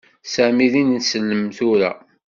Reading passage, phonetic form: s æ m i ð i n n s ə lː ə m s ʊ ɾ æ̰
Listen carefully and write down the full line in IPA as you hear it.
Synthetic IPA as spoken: s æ m i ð i n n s ə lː ə m θ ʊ ɾ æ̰